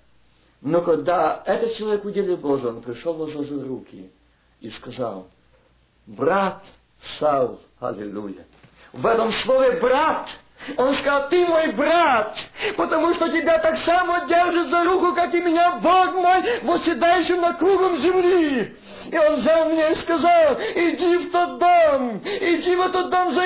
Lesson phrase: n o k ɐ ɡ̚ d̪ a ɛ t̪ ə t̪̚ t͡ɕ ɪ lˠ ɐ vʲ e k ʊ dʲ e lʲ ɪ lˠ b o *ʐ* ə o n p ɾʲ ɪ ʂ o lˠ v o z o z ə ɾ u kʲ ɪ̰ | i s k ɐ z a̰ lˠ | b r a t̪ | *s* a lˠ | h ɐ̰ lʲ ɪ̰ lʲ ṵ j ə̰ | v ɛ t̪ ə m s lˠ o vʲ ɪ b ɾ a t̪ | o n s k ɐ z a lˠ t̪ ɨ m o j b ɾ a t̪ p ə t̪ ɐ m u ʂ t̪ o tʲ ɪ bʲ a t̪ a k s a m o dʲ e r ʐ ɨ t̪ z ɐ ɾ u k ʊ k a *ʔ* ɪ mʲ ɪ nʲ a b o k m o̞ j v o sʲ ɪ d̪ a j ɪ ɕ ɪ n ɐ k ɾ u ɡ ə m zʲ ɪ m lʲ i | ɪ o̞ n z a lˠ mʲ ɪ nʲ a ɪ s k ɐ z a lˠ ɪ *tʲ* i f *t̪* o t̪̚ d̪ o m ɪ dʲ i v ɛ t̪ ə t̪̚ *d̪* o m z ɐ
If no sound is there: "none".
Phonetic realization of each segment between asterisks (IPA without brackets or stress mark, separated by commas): ʐ, s, k, dʲ, t̪, d̪